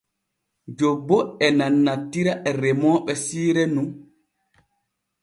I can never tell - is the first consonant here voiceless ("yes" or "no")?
no